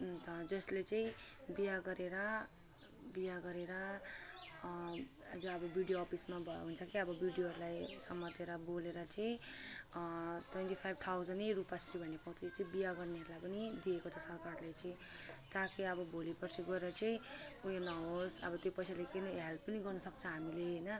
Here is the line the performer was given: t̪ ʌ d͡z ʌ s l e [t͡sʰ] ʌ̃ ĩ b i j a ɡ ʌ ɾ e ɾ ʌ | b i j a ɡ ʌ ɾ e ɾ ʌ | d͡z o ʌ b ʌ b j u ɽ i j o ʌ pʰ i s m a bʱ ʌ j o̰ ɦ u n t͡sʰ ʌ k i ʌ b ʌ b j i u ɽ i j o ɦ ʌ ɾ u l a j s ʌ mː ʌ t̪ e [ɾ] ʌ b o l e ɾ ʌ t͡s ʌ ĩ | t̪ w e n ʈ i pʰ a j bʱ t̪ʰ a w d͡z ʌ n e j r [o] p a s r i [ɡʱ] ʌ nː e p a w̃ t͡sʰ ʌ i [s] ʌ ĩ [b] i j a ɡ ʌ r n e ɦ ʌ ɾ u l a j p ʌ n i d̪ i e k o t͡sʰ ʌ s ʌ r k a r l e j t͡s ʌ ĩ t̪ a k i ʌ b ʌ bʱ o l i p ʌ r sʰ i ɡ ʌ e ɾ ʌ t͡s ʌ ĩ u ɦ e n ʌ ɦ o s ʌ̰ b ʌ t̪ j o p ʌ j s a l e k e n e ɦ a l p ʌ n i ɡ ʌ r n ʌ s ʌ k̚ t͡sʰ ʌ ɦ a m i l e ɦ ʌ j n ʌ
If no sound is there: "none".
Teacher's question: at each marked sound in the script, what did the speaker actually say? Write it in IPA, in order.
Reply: t͡s, ɾ, u, bʱ, t͡s, b

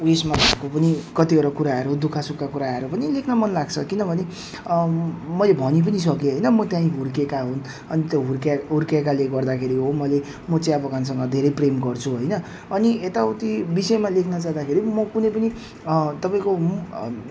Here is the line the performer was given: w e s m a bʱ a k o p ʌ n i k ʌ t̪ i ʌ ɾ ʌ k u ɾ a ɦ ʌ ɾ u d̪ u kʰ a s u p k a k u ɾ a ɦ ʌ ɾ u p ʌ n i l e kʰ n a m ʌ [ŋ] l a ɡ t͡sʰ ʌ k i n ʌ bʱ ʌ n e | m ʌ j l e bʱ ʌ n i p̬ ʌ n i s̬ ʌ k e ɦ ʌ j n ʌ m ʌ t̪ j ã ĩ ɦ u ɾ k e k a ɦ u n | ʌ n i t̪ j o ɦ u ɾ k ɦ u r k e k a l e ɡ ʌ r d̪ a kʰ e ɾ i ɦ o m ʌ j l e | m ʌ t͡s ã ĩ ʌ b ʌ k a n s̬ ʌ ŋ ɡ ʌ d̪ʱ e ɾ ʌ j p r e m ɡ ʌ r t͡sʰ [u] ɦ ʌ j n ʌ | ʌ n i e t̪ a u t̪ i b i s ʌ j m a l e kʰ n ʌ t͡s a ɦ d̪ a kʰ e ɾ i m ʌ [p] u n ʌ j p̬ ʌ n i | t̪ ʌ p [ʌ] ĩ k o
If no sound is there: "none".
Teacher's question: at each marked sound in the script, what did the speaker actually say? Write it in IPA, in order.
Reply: n, u, k, a

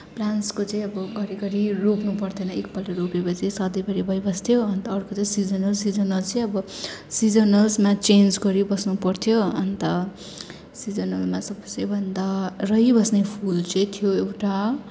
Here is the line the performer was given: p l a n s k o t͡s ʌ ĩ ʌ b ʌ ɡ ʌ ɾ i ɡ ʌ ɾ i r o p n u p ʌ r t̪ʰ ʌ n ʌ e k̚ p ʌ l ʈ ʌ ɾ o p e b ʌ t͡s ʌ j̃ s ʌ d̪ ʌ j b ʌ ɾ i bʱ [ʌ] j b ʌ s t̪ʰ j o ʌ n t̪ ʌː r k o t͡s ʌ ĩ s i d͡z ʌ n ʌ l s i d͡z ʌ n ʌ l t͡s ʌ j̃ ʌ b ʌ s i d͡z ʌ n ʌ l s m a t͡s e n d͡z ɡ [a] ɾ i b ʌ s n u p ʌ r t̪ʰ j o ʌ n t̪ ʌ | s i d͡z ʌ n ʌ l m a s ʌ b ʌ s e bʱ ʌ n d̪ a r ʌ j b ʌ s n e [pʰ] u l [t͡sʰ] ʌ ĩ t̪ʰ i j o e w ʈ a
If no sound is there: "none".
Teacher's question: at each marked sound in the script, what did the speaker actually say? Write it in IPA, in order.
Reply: ʌ, ʌ, pʰ, t͡s

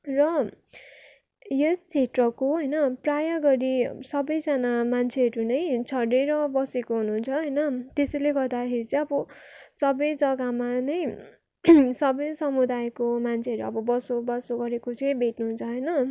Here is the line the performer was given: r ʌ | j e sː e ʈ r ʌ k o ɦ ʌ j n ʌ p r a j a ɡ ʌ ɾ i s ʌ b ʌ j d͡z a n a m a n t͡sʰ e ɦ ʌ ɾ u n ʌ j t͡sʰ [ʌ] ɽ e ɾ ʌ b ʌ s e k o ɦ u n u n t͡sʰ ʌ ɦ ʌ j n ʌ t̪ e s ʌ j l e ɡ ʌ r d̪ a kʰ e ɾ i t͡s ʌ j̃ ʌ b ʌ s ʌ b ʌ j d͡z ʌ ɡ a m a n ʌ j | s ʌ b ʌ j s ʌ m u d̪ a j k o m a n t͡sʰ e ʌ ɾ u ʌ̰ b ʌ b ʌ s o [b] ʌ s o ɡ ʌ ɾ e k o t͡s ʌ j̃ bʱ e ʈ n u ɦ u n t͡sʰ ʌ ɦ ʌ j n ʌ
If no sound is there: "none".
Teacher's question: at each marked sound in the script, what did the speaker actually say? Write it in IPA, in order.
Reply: ʌ, b

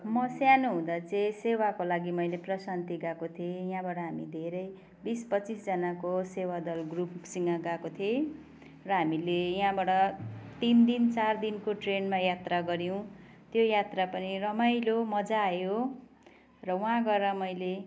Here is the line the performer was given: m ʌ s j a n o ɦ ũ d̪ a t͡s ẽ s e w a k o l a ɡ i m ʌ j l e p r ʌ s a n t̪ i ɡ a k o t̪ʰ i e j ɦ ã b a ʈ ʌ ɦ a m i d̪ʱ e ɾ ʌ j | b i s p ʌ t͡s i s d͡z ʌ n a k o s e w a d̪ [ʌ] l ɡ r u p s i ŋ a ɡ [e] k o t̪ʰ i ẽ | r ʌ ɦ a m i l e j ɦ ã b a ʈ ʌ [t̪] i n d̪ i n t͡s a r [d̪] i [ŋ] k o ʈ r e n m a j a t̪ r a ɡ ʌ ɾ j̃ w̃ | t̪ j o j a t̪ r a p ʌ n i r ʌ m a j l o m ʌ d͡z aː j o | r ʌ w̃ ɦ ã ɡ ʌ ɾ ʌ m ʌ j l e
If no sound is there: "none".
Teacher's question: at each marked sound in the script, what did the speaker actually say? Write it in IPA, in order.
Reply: ʌ, a, t̪, d̪, n

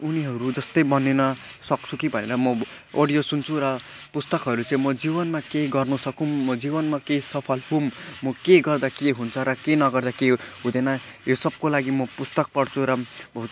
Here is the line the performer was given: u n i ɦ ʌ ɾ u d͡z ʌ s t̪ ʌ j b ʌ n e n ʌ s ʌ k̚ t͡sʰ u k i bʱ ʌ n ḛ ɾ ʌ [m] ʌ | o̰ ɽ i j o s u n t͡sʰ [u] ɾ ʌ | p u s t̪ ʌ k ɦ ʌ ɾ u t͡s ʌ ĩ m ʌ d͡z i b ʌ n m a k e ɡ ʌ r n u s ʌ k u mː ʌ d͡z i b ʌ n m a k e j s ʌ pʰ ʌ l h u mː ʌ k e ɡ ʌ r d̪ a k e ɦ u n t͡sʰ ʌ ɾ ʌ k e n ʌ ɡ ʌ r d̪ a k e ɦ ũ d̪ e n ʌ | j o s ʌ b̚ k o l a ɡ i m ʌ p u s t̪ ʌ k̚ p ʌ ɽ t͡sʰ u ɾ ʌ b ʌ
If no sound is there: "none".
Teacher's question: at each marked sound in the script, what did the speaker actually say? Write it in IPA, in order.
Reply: m, u

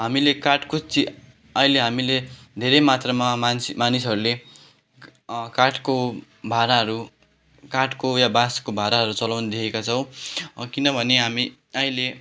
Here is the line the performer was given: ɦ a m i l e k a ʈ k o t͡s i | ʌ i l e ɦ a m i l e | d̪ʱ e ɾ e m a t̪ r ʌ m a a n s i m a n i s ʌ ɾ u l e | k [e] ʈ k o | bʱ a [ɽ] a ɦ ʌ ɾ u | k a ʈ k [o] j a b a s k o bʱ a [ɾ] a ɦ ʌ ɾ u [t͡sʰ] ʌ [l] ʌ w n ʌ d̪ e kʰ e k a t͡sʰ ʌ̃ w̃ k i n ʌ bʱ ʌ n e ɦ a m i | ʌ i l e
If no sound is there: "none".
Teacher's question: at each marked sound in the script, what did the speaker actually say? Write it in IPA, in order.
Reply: a, ɾ, o, ɾ, t͡s, l

